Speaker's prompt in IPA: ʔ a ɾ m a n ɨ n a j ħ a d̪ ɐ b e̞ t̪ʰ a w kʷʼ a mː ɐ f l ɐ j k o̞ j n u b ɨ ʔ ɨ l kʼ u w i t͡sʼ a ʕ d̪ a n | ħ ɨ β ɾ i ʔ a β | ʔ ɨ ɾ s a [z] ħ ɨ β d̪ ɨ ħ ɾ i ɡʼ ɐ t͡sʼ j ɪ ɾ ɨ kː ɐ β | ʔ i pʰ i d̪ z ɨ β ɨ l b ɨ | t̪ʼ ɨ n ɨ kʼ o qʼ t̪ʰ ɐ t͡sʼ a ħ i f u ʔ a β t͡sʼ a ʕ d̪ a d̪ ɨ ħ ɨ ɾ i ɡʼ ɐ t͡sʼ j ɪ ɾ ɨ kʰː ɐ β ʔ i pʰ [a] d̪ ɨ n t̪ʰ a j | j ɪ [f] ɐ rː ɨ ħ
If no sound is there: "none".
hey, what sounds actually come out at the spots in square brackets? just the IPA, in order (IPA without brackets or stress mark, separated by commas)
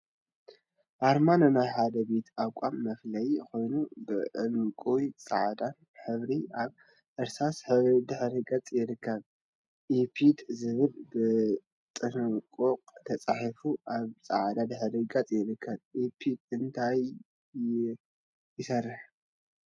s, i, s